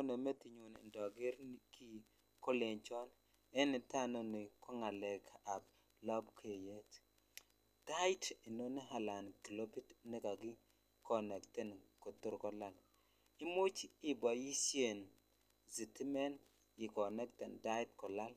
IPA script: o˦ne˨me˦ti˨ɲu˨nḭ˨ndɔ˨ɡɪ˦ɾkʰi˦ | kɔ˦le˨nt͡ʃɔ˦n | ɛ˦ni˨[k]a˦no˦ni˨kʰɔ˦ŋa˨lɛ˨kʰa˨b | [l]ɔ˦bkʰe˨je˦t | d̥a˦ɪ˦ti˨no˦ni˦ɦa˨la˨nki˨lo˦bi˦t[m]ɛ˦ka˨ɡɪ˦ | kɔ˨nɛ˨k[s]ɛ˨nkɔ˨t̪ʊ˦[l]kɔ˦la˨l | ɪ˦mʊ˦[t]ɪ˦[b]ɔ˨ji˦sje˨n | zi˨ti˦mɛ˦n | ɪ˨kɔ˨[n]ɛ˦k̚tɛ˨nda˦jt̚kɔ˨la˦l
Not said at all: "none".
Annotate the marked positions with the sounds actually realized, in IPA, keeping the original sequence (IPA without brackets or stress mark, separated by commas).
t, l, n, t, ɾ, t͡ʃ, b, n